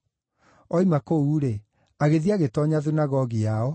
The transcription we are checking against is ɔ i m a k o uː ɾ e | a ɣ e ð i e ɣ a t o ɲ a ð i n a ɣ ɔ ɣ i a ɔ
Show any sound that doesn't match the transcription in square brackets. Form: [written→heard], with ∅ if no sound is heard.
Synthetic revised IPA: ɔ i m a k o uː ɾ e | a ɣ e ð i [e→a] ɣ [a→e] t [o→ɔ] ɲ a ð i n a ɣ ɔ ɣ i a ɔ